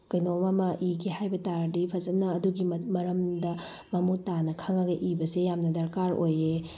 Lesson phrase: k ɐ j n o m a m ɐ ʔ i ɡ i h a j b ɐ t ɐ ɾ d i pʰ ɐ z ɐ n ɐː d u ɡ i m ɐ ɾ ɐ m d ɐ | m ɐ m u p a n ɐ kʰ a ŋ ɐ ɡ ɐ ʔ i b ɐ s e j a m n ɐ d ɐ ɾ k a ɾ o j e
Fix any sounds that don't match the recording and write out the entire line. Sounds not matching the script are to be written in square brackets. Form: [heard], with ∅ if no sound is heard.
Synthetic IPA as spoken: k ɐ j n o m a m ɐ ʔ i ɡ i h a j b ɐ t [a] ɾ d i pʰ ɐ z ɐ n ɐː d u ɡ i m ɐ ɾ ɐ m d ɐ | m ɐ m u [t] a n ɐ kʰ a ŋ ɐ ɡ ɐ ʔ i b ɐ s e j a m n ɐ d ɐ ɾ k a ɾ o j e